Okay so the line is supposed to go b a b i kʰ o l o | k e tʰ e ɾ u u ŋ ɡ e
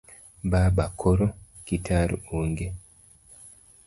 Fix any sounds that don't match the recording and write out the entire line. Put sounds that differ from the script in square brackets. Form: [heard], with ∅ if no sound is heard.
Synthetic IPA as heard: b a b [a] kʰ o [ɾ] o | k [i] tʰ [a] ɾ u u ŋ ɡ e